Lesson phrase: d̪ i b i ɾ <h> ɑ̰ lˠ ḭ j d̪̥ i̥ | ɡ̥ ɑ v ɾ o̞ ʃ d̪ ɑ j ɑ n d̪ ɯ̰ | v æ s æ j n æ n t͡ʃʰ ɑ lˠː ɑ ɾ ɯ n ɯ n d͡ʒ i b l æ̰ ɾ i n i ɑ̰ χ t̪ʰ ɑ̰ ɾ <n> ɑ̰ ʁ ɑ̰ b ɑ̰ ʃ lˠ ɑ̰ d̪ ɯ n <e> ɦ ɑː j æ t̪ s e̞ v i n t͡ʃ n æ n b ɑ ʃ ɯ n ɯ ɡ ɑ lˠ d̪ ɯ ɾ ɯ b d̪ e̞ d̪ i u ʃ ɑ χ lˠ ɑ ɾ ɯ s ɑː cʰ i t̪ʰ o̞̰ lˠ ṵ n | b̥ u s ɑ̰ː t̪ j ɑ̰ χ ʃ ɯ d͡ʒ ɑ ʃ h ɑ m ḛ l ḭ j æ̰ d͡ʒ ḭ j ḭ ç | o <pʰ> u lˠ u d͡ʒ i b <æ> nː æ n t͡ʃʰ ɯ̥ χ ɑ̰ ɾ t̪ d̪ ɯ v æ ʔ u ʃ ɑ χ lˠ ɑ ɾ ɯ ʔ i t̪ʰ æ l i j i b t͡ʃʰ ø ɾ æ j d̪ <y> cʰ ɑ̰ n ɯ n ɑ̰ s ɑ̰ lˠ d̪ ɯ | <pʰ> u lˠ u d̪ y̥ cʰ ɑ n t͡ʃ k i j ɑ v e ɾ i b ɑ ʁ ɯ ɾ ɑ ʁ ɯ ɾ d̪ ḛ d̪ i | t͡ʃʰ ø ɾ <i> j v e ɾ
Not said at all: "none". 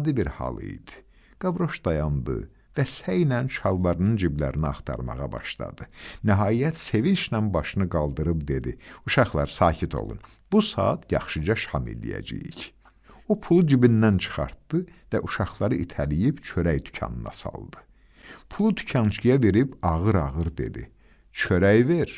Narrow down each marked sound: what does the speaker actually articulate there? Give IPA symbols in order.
h, m, æ, pʰ, i, y, pʰ, æ

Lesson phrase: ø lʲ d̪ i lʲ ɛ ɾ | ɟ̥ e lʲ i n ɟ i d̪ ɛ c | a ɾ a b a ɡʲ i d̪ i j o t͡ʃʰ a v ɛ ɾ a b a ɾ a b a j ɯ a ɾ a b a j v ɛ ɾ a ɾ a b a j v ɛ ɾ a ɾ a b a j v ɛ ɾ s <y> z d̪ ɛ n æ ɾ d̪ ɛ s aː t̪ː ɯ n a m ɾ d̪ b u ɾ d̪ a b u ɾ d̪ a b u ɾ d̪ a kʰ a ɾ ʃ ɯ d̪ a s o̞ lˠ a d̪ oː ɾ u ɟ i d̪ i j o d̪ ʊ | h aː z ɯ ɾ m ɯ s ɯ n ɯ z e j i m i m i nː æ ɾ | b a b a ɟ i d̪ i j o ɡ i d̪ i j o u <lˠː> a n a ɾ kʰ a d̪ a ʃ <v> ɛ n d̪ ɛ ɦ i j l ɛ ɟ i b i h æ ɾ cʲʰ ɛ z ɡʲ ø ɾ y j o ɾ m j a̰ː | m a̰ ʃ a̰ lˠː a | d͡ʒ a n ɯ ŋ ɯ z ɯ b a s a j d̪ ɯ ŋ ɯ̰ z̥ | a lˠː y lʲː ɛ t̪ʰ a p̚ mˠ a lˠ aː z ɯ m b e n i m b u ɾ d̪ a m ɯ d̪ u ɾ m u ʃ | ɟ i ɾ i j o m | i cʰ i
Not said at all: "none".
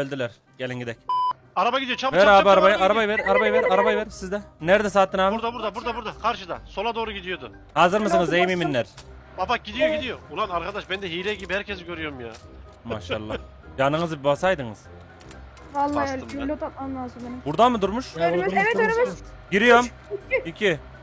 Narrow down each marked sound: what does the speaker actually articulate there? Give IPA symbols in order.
i, lˠ, b

